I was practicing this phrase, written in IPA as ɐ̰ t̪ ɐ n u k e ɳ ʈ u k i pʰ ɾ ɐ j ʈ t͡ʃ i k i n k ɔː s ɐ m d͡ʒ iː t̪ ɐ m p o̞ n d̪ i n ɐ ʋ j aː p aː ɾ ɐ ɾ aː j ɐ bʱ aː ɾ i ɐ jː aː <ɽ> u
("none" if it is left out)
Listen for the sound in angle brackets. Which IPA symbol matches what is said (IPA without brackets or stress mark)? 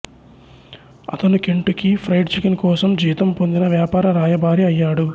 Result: ɽ